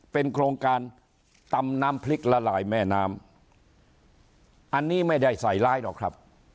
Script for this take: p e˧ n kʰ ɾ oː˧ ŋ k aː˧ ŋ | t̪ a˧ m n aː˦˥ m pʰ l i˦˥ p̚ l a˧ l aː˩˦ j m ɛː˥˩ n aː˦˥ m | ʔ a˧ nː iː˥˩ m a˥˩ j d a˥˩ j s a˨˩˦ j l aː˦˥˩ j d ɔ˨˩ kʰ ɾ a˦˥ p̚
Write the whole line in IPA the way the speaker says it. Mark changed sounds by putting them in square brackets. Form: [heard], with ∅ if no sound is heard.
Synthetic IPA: p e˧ n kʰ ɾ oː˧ ŋ k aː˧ [n] | t̪ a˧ m n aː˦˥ m pʰ l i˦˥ [k̚] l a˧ l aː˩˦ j m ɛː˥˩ n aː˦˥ m | ʔ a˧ nː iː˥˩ m a˥˩ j d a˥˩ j s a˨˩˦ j l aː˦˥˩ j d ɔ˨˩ kʰ ɾ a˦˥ p̚